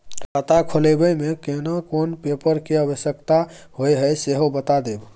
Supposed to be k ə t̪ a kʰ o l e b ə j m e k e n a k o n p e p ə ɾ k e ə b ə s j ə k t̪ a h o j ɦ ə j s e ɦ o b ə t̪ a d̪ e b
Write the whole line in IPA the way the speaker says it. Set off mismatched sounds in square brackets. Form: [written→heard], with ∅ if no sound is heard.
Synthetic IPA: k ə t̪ a kʰ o l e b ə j m e k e n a k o n p e p ə ɾ k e ə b ə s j ə k t̪ a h o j ɦ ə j s e ɦ o b ə t̪ a d̪ e b